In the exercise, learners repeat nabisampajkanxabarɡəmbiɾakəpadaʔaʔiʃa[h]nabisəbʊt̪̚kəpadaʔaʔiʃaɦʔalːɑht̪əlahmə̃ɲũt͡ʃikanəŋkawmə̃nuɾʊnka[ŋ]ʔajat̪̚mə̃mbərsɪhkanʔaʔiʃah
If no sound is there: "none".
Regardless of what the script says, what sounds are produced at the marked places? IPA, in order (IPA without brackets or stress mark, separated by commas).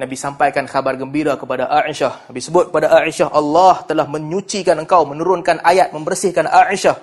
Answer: h, n